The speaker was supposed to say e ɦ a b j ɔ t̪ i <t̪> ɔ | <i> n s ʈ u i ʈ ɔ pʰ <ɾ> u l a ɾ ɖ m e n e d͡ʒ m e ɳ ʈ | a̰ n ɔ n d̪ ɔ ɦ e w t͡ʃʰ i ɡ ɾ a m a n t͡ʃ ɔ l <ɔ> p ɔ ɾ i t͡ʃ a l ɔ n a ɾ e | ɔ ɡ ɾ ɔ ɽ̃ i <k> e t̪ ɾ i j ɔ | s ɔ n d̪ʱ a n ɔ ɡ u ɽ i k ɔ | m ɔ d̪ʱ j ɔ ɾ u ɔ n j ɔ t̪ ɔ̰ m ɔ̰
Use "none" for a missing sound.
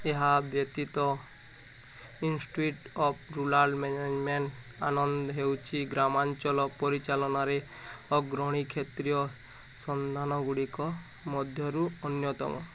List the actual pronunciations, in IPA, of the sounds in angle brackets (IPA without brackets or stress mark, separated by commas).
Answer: t̪, i, ɾ, ɔ, kʰ